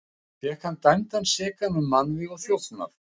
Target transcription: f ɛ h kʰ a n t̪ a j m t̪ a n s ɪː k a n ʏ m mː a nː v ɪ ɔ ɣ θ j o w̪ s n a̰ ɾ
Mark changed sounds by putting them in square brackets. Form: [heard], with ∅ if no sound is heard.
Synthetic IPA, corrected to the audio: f ɛ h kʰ a n t̪ a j m t̪ a n s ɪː k a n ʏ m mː a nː v ɪ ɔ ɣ θ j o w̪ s n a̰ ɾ